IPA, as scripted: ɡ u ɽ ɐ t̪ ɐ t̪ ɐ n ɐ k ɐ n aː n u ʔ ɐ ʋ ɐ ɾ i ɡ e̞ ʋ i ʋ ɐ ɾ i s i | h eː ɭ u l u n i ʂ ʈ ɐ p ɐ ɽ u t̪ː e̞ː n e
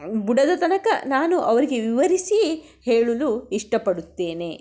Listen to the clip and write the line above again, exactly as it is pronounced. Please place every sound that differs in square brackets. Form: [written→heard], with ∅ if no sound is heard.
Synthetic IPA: [ɡ→b] u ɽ ɐ [t̪→d̪] ɐ t̪ ɐ n ɐ k ɐ n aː n u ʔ ɐ ʋ ɐ ɾ i ɡ e̞ ʋ i ʋ ɐ ɾ i s i | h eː ɭ u l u [n→∅] i ʂ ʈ ɐ p ɐ ɽ u t̪ː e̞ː n e